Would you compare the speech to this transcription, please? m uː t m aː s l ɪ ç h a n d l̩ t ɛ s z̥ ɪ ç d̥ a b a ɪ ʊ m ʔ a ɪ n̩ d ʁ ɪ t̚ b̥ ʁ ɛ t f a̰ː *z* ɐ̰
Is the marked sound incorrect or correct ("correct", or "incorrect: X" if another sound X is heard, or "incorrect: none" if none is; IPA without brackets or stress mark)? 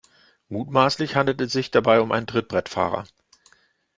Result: incorrect: ʁ